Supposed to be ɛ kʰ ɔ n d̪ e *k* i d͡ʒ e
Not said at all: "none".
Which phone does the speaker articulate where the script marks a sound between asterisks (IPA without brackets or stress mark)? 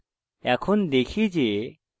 kʰ